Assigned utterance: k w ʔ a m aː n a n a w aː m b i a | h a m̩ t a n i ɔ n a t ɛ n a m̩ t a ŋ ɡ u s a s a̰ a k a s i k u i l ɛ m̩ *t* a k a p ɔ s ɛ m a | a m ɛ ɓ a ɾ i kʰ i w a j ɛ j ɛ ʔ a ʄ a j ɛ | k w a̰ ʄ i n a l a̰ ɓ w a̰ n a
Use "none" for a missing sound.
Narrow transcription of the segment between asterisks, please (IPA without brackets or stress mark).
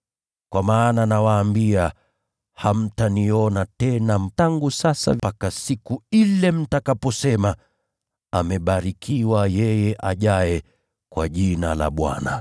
t